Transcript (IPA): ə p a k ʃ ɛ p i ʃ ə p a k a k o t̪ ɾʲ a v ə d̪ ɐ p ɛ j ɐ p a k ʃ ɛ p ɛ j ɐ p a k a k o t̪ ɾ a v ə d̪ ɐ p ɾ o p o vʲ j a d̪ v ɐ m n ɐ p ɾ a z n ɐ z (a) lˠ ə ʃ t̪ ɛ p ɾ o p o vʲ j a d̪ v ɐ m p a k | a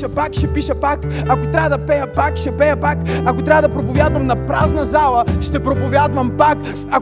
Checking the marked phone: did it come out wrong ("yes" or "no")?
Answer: no